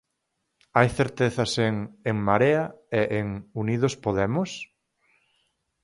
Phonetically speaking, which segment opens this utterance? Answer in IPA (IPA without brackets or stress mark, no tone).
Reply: a